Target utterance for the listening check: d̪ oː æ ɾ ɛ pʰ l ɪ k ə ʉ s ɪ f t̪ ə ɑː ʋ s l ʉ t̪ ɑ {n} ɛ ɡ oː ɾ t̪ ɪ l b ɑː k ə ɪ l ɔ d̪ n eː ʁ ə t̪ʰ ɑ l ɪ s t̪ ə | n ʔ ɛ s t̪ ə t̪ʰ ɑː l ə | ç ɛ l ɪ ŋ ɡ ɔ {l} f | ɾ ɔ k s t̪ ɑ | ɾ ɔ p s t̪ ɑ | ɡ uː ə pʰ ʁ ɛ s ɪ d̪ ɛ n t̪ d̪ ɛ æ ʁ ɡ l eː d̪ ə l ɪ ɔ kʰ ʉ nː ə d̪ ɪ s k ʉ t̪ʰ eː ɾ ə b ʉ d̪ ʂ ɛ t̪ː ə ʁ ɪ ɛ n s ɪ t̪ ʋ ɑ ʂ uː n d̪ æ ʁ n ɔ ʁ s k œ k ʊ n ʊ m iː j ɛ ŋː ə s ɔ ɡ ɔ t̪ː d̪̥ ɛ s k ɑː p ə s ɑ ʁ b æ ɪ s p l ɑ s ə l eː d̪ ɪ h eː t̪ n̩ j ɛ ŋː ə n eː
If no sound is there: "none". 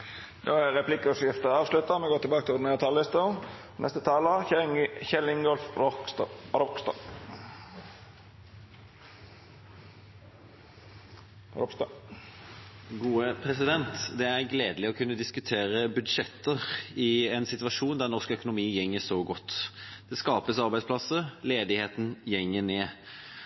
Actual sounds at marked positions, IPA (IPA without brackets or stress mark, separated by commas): m, l